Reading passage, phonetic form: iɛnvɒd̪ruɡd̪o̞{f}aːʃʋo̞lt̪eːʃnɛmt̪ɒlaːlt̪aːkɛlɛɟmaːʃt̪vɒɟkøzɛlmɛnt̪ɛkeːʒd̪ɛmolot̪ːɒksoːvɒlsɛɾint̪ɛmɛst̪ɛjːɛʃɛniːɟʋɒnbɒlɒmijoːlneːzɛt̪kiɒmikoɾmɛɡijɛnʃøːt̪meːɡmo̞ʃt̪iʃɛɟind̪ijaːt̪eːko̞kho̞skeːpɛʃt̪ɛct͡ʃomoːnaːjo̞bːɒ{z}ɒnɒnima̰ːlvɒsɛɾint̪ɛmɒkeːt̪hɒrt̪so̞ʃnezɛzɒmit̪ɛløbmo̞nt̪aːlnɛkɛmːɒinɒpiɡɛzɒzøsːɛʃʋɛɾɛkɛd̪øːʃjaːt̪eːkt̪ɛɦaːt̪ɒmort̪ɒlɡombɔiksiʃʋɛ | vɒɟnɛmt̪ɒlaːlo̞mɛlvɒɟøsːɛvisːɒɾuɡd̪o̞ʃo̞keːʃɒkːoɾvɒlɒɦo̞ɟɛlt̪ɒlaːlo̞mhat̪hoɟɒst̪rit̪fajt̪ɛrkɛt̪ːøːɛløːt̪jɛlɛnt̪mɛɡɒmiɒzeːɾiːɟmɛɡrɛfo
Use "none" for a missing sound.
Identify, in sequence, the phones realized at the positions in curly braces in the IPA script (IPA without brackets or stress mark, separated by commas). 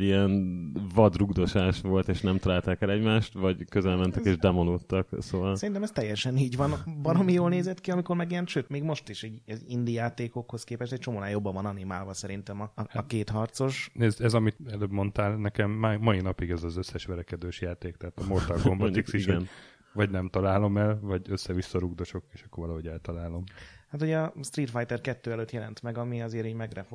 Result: ʃ, v